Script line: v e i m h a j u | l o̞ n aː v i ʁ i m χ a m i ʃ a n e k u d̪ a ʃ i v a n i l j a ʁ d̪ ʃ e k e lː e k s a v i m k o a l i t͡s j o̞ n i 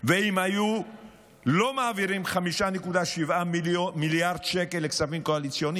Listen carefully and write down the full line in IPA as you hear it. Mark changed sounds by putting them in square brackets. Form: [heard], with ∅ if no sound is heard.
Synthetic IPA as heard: v e i m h a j u | l o̞ [m] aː v i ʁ i m χ a m i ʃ a n e k u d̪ a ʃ i v a [m] i l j a ʁ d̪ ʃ e k e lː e k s a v i m k o a l i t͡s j o̞ n i